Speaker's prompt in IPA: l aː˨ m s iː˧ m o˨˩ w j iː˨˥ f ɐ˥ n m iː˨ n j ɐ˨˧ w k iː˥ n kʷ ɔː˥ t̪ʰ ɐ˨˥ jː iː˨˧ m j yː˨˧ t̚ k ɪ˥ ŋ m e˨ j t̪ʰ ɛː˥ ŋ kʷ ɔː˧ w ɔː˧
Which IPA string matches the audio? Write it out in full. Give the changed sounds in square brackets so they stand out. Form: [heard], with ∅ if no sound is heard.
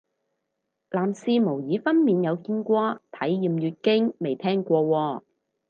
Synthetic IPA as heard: l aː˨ m s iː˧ m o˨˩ w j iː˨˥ f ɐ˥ n m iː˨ n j ɐ˨˧ w k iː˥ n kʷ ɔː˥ t̪ʰ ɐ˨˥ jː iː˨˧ m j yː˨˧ t̚ k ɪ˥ ŋ m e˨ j t̪ʰ ɛː˥ ŋ kʷ ɔː˧ w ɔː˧